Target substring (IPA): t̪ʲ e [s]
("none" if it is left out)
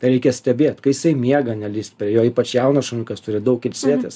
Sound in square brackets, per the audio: s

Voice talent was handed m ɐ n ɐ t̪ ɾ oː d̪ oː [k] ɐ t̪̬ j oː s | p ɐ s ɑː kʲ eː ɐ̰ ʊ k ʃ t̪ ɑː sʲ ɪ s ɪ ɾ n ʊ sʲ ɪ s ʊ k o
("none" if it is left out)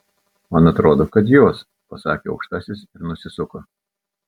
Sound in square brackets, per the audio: k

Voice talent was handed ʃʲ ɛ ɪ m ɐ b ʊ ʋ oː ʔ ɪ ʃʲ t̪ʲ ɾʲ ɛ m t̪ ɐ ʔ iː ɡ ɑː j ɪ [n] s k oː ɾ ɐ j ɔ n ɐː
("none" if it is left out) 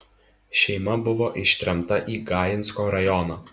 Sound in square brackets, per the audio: n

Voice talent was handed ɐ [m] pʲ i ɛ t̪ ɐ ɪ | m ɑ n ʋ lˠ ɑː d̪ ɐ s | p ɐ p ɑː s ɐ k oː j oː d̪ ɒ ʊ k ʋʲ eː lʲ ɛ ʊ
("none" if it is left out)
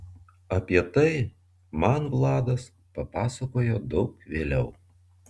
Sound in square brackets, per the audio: none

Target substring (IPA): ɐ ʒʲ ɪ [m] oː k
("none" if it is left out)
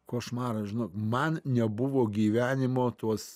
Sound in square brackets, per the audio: n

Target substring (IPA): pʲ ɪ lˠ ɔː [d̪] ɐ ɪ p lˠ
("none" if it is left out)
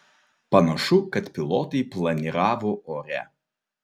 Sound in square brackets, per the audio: t̪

